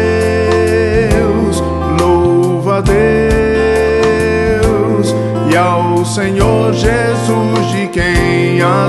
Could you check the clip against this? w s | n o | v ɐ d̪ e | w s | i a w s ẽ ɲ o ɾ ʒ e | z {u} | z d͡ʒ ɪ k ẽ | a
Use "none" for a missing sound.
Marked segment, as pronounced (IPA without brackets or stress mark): u